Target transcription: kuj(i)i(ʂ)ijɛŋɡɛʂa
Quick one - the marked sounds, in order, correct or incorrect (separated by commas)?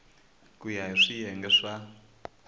incorrect, correct